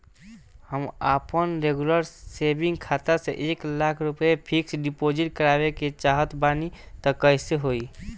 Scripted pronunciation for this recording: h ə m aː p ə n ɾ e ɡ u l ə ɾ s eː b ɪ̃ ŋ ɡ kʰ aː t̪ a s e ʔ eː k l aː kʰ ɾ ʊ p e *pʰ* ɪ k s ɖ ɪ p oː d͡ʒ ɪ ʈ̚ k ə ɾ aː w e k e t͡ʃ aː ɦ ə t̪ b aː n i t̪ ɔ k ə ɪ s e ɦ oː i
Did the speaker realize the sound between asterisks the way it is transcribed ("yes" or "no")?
yes